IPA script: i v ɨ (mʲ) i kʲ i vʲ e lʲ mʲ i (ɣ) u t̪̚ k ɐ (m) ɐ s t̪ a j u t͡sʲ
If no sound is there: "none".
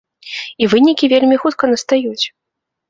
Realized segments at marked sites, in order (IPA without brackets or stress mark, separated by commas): nʲ, x, n